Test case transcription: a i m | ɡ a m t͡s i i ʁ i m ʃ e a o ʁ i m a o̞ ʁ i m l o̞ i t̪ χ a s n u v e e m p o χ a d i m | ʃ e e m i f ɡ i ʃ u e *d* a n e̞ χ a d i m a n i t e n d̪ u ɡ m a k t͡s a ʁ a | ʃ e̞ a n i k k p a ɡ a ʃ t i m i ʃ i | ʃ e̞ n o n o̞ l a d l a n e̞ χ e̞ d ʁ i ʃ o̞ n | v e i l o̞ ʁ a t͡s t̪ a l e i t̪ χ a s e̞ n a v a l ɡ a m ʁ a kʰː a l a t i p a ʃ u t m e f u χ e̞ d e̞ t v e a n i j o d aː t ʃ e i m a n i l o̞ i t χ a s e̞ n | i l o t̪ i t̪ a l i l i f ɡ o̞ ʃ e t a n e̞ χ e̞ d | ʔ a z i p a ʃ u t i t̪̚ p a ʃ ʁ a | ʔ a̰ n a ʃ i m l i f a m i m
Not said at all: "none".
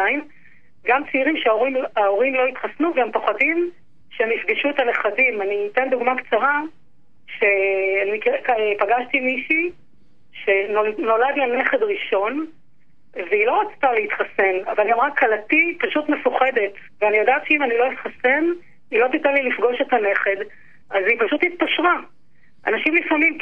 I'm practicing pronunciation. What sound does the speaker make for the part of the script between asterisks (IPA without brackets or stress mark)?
t